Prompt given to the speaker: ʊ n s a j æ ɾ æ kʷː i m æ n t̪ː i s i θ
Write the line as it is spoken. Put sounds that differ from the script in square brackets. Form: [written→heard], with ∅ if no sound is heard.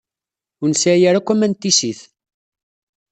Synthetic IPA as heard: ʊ n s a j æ ɾ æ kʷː [i→æ] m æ n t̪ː i s i θ